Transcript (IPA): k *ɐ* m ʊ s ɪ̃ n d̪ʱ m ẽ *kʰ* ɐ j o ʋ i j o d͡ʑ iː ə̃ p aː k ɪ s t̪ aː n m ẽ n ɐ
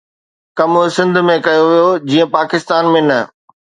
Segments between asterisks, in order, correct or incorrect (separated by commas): correct, incorrect